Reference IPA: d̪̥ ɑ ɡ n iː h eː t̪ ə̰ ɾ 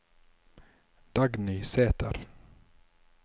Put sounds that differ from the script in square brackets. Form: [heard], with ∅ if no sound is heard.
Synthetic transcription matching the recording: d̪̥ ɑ ɡ n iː [s] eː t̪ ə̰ ɾ